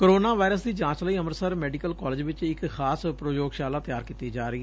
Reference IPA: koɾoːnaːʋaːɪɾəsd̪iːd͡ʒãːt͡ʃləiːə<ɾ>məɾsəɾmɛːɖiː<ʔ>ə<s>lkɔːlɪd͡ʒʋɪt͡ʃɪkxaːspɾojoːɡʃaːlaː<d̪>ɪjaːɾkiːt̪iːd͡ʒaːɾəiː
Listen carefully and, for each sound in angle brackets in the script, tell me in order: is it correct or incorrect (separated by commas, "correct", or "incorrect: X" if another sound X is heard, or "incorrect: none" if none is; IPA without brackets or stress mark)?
incorrect: none, incorrect: k, incorrect: none, incorrect: t̪